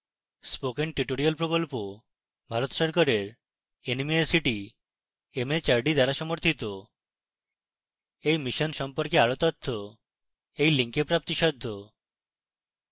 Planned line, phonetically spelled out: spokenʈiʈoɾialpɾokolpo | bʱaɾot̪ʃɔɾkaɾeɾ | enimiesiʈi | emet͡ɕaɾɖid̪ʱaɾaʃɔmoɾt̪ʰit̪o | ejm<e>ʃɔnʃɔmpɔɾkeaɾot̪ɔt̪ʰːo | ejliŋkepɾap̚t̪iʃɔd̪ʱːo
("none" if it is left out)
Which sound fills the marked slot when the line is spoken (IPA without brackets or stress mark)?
i